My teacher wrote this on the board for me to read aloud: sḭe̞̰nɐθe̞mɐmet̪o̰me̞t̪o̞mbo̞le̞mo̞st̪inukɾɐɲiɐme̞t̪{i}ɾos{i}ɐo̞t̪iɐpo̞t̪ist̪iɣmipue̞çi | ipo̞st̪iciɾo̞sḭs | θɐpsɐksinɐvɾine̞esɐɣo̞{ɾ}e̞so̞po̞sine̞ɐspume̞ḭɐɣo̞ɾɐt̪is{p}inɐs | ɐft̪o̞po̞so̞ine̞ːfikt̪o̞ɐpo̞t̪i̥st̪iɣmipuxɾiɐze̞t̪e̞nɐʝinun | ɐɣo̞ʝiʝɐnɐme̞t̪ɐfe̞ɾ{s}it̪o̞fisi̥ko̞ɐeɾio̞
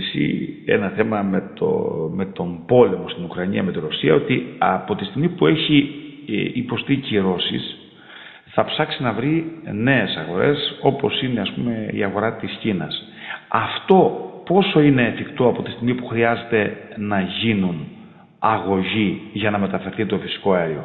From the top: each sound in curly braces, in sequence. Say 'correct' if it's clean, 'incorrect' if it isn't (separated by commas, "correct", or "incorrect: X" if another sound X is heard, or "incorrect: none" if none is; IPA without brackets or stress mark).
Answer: correct, correct, correct, incorrect: c, incorrect: θ